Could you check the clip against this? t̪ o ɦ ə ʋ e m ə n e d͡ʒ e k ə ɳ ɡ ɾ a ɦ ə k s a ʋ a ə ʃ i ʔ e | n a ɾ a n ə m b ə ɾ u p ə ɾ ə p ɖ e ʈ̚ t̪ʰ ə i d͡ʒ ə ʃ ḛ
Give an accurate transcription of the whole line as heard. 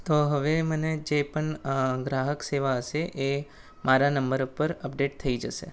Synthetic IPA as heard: t̪ o ɦ ə ʋ e m ə n e d͡ʒ e p ə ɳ ɡ ɾ a ɦ ə k s e ʋ a ə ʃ e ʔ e | m a ɾ a n ə m b ə ɾ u p ə ɾ ə p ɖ e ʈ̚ t̪ʰ ə i d͡ʒ ə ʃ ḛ